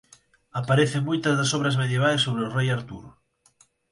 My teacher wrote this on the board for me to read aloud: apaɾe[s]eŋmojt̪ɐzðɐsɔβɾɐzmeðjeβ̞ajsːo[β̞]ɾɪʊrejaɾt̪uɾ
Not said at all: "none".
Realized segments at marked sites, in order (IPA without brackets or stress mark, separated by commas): θ, β̞